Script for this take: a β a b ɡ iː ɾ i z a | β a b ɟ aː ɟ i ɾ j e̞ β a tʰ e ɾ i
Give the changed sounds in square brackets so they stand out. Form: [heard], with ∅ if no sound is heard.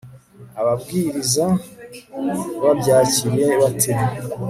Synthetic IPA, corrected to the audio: a β a b ɡ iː ɾ i z a | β a b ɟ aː [c] i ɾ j e̞ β a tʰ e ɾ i